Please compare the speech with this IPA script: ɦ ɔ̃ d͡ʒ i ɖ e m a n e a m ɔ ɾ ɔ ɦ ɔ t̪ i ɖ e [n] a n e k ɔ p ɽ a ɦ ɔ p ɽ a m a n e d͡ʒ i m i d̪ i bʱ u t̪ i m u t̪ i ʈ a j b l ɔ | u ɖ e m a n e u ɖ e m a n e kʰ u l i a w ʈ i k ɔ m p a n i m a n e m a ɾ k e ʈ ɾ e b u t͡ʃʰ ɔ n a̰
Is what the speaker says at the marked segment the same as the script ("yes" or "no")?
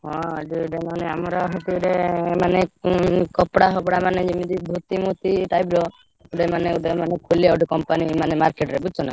no